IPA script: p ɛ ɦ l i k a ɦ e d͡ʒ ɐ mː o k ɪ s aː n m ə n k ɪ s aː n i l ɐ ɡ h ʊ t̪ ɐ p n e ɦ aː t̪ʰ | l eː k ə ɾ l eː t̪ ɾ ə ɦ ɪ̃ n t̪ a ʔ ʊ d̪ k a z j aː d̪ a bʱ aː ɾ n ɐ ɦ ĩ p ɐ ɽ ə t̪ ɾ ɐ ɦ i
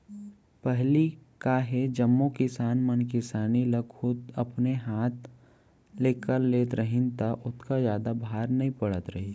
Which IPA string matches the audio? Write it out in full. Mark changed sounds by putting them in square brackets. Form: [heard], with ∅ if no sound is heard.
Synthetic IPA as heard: p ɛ ɦ l i k a ɦ e d͡ʒ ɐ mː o k ɪ s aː n m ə n k ɪ s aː n i l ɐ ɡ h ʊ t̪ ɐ p n e ɦ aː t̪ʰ | l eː k ə ɾ l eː t̪ ɾ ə ɦ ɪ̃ n t̪ a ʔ ʊ [t̪] k a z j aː d̪ a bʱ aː ɾ n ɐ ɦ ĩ p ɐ ɽ ə t̪ ɾ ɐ ɦ i